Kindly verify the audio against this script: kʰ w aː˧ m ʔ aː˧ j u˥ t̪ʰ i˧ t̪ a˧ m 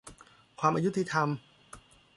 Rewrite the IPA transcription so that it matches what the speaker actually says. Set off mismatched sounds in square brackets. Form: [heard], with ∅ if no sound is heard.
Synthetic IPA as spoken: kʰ w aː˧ m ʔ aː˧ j u˥ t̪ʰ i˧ [t̪ʰ] a˧ m